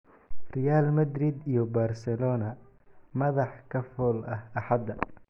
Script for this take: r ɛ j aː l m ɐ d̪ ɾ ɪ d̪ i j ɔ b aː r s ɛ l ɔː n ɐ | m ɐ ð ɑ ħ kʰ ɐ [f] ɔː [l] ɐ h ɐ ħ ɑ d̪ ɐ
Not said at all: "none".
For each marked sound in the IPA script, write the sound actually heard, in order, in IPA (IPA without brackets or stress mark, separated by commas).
f, l